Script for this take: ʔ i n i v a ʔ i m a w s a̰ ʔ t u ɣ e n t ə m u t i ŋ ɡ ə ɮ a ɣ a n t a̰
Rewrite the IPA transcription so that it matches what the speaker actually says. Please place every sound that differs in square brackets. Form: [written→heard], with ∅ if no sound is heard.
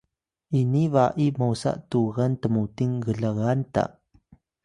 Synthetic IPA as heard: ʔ i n i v a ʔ i m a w s a̰ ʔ t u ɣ [e→a] n t ə m u t i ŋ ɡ ə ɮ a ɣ a n t a̰